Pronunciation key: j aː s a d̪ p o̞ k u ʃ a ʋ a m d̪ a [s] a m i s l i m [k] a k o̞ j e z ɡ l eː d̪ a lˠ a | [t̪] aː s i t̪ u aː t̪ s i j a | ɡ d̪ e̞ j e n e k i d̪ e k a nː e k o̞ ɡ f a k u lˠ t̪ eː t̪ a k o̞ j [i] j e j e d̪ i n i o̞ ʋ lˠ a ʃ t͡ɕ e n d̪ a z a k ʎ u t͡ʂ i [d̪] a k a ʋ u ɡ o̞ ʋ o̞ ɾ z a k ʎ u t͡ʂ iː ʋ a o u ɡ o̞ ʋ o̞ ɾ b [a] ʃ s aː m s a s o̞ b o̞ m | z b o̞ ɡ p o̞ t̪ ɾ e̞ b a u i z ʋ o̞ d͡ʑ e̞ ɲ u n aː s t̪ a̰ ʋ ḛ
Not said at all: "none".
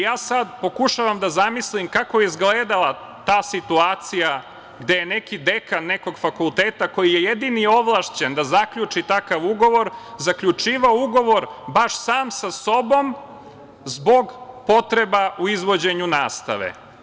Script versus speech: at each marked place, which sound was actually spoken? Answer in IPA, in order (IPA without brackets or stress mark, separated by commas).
z, k, t̪, i, t̪, a